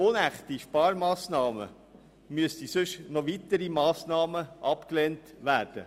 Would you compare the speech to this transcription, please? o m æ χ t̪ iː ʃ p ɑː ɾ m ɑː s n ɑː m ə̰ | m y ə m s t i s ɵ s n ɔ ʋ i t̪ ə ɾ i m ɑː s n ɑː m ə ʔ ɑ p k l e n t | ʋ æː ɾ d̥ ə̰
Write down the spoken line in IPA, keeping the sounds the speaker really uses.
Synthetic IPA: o n æ χ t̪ i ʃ p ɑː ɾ m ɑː s n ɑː m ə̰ | m y ə s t i s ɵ ʃ n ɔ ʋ i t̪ ə ɾ i m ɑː s n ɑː m ə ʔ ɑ p k l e n t | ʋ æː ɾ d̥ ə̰